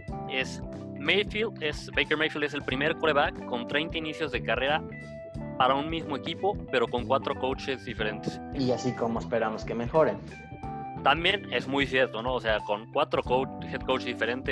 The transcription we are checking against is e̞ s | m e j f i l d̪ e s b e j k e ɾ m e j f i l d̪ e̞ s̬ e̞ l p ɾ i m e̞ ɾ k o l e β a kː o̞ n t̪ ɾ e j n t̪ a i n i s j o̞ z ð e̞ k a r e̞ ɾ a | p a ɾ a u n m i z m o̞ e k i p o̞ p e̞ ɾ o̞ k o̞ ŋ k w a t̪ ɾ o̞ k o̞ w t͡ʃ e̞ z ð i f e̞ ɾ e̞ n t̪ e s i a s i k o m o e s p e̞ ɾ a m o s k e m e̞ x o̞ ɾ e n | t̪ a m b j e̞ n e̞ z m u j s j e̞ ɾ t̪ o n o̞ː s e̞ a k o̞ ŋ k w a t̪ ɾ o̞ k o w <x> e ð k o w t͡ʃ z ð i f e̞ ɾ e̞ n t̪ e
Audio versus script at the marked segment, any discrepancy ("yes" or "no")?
no